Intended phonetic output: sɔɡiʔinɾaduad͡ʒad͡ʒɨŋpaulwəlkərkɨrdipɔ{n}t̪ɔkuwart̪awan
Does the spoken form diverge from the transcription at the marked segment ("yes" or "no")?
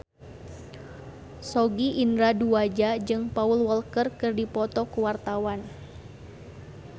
yes